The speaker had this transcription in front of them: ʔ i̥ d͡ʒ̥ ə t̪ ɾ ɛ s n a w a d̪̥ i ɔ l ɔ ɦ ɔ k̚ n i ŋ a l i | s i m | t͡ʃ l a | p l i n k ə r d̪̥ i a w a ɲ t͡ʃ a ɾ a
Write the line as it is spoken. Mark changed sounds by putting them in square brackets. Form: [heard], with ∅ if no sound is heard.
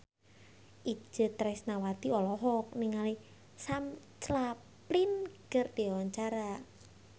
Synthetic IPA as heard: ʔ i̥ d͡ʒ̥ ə t̪ ɾ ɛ s n a w a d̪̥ i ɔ l ɔ ɦ ɔ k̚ n i ŋ a l i | s [a] m | t͡ʃ l a | p l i n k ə r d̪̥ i a w a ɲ t͡ʃ a ɾ a